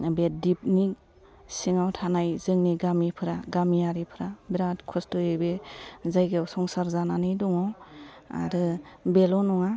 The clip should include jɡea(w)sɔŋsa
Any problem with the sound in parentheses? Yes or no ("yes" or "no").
no